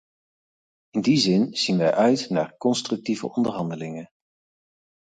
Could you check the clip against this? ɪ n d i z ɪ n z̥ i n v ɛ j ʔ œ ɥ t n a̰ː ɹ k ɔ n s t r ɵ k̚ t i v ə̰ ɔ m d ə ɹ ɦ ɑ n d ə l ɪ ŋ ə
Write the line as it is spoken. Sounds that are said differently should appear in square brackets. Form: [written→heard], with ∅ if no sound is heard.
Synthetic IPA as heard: ɪ n d i z ɪ n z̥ i n [v→ʋ] ɛ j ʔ œ ɥ t n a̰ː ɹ k ɔ n s t r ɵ k̚ t i v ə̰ ɔ [m→n] d ə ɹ ɦ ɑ n d ə l ɪ ŋ ə